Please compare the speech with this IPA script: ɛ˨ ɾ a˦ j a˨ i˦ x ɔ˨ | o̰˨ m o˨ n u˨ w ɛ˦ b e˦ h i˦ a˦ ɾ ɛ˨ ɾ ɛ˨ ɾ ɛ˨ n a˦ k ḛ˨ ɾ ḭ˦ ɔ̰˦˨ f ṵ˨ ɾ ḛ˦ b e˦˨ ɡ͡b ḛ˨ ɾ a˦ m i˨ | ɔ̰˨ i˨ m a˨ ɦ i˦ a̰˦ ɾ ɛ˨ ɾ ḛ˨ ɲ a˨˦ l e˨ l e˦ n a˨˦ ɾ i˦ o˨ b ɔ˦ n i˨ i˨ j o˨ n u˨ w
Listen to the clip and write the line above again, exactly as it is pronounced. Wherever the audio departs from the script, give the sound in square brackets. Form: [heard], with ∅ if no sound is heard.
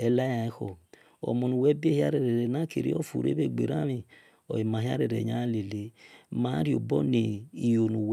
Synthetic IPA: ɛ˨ [l] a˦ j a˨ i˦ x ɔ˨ | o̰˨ m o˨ n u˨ w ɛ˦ b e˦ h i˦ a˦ ɾ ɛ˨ ɾ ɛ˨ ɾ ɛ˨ n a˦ k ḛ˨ ɾ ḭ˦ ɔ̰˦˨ f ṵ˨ ɾ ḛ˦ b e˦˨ ɡ͡b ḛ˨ ɾ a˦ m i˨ | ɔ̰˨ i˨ m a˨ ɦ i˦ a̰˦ ɾ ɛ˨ ɾ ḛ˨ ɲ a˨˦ l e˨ l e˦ [m] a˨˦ ɾ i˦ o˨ b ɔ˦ n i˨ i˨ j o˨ n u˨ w